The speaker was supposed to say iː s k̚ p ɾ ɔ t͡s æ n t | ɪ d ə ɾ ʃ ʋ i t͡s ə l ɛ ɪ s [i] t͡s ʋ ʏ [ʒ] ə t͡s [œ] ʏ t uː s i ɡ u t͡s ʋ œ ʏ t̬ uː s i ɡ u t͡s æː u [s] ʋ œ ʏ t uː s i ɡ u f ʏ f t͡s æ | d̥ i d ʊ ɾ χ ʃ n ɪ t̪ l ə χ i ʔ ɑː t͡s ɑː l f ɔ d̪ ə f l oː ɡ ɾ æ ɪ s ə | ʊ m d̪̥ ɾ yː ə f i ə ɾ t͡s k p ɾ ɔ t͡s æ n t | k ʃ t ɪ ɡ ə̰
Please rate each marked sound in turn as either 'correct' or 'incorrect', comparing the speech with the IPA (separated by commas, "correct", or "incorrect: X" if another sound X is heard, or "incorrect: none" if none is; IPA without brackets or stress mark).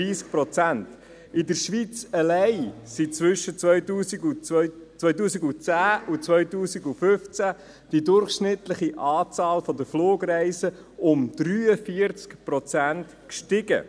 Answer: correct, incorrect: ʃ, correct, incorrect: t͡s